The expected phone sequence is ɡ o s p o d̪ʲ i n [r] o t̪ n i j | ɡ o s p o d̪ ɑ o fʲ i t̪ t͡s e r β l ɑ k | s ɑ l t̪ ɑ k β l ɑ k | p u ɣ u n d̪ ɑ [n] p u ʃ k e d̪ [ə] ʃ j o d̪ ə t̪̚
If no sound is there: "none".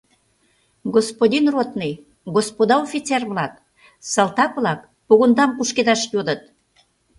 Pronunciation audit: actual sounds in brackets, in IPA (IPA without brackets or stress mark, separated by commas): r, m, ɑ